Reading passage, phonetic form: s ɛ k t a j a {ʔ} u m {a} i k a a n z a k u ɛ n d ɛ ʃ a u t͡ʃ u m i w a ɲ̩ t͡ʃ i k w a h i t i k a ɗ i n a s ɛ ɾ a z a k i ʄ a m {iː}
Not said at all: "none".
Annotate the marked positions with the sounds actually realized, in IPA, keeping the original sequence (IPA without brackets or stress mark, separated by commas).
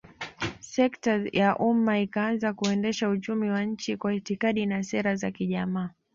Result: ʔ, a, aː